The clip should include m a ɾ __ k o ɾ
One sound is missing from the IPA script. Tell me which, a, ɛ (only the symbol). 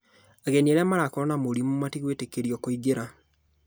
a